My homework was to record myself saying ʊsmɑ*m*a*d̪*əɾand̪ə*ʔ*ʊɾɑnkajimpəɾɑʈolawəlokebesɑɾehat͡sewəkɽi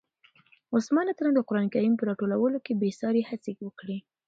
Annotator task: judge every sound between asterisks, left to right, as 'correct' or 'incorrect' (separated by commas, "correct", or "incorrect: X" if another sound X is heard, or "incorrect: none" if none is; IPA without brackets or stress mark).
incorrect: n, incorrect: t̪, incorrect: q